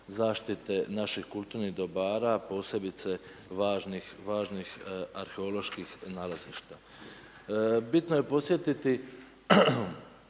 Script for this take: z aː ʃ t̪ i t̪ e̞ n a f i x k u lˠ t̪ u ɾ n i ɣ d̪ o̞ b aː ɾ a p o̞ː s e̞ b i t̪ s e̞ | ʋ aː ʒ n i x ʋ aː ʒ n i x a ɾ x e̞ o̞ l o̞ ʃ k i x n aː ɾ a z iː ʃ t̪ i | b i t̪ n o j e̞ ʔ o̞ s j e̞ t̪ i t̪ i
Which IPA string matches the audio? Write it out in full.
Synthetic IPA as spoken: z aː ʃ t̪ i t̪ e̞ n a ʃ i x k u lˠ t̪ u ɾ n i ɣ d̪ o̞ b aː ɾ a p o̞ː s e̞ b i t̪ s e̞ | ʋ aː ʒ n i x ʋ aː ʒ n i x a ɾ x e̞ o̞ l o̞ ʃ k i x n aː l a z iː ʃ t̪ a | b i t̪ n o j e̞ p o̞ s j e̞ t̪ i t̪ i